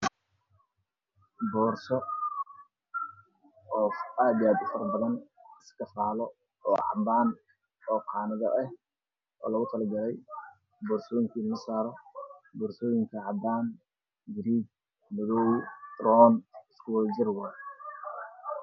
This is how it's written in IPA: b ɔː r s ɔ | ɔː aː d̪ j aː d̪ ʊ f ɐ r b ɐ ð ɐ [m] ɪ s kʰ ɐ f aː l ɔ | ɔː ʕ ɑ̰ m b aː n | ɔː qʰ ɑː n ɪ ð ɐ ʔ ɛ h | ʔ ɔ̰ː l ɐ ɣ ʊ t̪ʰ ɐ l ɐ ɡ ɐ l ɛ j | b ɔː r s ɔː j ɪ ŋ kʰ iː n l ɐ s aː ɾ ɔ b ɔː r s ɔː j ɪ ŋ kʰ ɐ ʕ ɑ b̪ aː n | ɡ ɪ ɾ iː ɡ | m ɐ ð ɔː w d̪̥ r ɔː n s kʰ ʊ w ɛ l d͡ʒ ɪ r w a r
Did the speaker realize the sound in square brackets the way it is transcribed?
no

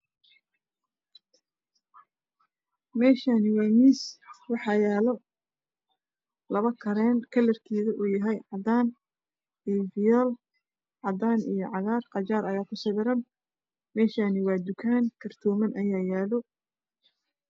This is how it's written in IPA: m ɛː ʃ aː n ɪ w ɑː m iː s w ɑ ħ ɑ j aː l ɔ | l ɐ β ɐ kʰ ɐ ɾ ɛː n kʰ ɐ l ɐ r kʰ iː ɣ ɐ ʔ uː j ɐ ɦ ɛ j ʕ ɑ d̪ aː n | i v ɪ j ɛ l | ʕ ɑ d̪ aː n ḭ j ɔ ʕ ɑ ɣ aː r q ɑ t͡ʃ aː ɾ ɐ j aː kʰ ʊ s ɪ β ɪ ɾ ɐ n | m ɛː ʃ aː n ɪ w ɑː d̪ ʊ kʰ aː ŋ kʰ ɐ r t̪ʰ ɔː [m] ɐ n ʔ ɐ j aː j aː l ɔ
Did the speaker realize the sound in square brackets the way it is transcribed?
yes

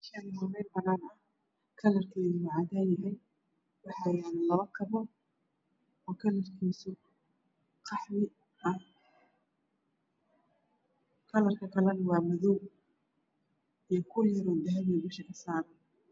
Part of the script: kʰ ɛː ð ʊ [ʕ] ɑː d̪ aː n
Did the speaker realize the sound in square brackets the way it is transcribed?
yes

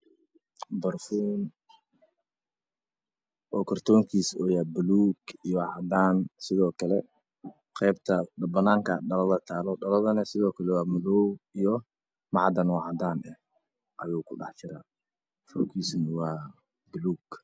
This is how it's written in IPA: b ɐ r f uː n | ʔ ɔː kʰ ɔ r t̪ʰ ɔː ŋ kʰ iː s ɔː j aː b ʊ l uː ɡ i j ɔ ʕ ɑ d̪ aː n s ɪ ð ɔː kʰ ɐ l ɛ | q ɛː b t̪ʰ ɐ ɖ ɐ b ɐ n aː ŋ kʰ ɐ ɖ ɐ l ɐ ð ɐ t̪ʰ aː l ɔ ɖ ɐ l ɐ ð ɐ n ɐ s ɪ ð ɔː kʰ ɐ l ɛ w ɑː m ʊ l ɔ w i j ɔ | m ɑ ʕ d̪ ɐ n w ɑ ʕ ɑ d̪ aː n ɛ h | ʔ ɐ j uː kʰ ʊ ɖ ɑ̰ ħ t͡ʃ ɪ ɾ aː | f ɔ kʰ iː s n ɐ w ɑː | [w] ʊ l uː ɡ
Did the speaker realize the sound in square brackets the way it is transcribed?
no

